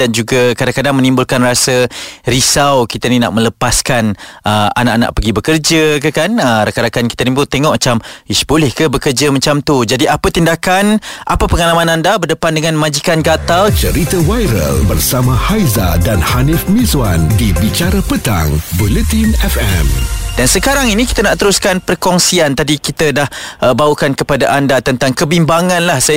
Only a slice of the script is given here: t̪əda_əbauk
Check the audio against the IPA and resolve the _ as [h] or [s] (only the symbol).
h